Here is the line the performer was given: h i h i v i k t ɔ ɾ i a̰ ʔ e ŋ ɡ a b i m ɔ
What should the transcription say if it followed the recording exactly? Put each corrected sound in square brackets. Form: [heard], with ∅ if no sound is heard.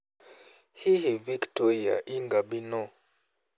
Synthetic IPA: h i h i v i k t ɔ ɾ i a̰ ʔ [i] ŋ ɡ a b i [n] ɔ